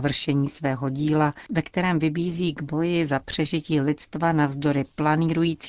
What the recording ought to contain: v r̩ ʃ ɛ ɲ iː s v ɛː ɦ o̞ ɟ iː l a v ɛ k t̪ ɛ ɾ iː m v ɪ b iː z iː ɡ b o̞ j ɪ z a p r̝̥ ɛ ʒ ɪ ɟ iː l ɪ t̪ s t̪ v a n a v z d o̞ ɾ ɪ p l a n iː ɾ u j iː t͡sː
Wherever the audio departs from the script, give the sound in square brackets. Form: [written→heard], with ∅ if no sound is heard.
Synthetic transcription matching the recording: v r̩ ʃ ɛ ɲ iː s v ɛː ɦ o̞ ɟ iː l a v ɛ k t̪ ɛ ɾ [iː→ɛː] m v ɪ b iː z iː ɡ b o̞ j ɪ z a p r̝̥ ɛ ʒ ɪ [ɟ→c] iː l ɪ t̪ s t̪ v a n a v z d o̞ ɾ ɪ p l a n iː ɾ u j iː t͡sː